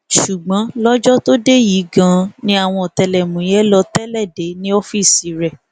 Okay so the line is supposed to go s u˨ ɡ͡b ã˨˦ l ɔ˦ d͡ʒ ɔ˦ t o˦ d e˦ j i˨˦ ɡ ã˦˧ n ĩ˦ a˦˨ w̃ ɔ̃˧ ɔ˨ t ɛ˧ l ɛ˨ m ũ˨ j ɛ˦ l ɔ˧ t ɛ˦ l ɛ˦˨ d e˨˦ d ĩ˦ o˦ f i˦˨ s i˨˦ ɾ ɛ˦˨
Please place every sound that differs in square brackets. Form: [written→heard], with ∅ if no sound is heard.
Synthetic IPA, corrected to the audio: [s→ʃ] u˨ ɡ͡b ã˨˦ l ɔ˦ d͡ʒ ɔ˦ t o˦ d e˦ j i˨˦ ɡ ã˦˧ n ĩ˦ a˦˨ w̃ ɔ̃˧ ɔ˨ t ɛ˧ l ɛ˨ m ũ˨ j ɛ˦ l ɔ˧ t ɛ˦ l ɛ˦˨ d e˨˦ [d→n] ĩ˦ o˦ f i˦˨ s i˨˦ ɾ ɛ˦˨